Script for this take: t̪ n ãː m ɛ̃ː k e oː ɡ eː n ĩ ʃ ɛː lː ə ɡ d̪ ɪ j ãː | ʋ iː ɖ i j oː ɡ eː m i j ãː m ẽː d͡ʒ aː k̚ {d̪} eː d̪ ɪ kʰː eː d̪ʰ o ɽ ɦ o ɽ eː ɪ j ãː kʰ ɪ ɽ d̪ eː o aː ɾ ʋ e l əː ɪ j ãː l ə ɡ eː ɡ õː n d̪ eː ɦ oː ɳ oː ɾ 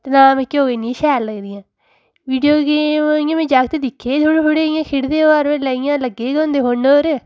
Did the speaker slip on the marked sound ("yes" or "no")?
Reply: yes